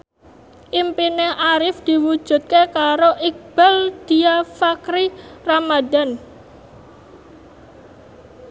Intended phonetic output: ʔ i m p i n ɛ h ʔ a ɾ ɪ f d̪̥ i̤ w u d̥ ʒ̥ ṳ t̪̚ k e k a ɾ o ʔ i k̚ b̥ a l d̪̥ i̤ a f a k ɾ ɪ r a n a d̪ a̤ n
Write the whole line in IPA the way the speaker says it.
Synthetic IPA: ʔ i m p i n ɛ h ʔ a ɾ ɪ f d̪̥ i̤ w u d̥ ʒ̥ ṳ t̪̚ k e k a ɾ o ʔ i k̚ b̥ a l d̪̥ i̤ a f a k ɾ i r a m a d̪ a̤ n